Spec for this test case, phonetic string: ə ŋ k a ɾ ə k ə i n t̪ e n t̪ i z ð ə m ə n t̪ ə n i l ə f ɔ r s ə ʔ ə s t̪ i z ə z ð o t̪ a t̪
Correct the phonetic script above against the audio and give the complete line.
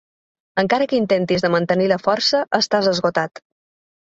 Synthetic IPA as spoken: ə ŋ k a ɾ ə k ə i n t̪ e n t̪ i z ð ə m ə n t̪ ə n i l ə f ɔ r s ə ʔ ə s t̪ a z ə z ɣ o t̪ a t̪